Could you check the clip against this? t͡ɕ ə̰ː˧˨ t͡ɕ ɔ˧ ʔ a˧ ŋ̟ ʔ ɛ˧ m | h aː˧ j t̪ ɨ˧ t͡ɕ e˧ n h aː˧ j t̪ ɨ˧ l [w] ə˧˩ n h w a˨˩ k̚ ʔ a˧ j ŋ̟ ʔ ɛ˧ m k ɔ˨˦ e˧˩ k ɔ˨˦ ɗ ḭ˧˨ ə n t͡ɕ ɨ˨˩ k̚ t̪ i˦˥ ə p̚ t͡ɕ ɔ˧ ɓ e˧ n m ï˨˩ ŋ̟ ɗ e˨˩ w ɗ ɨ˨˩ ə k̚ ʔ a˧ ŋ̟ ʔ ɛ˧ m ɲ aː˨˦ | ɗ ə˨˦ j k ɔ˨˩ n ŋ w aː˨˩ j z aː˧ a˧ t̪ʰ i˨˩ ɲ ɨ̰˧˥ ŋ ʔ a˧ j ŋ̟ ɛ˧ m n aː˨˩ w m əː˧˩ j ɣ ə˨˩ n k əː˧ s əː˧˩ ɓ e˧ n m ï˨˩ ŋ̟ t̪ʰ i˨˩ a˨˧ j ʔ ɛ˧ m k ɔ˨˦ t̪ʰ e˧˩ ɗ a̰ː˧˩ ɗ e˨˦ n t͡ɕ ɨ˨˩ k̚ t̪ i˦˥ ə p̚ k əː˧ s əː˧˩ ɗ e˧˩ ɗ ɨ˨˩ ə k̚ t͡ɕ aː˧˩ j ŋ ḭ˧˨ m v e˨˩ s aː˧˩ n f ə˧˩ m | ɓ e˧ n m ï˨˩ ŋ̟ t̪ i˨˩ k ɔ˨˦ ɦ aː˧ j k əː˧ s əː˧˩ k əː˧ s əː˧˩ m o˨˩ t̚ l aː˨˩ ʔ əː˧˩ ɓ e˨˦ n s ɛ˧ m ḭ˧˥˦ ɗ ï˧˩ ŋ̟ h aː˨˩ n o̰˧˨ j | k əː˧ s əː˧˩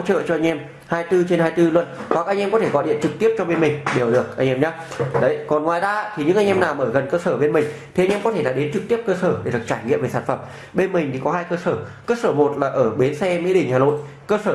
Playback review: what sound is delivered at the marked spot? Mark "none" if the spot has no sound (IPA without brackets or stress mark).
w